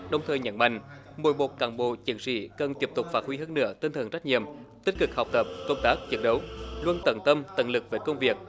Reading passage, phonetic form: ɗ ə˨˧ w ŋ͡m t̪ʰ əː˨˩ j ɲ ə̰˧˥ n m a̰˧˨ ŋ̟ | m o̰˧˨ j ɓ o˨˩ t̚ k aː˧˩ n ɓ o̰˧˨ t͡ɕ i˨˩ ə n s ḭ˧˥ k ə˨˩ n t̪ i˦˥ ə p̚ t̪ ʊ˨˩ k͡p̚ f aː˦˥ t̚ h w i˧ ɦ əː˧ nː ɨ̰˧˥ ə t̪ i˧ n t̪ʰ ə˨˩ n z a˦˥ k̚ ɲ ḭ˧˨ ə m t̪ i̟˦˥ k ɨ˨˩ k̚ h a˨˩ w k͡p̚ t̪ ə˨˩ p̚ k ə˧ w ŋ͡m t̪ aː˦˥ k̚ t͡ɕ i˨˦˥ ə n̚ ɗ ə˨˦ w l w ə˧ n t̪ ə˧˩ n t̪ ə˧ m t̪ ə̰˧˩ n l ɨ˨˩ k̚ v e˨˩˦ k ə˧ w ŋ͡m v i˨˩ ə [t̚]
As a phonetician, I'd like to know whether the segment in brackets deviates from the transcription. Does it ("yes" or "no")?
yes